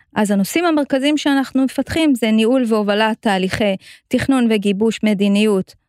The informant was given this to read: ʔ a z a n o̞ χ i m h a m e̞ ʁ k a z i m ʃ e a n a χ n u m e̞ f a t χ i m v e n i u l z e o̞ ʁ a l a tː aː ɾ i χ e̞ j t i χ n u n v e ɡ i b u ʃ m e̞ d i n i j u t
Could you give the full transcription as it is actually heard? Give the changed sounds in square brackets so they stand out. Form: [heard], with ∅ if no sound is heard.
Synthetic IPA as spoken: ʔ a z a n o̞ [s] i m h a m e̞ ʁ k a z i m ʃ e a n a χ n u m e̞ f a t χ i m [z] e n i u l [v] e o̞ [v] a l a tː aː [l] i χ e̞ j t i χ n u n v e ɡ i b u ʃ m e̞ d i n i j u t